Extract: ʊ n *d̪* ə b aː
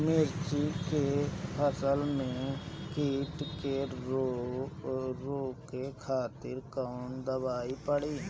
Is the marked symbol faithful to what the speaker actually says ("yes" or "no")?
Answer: yes